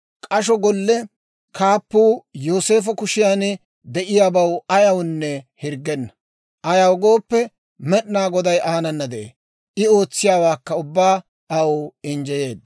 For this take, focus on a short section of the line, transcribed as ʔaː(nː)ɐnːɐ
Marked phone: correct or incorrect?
incorrect